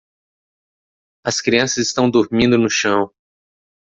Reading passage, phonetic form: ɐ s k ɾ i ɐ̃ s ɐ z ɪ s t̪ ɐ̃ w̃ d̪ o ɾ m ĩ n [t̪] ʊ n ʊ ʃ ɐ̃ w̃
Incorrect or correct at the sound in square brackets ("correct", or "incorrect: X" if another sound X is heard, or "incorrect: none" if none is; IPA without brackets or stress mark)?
incorrect: d̪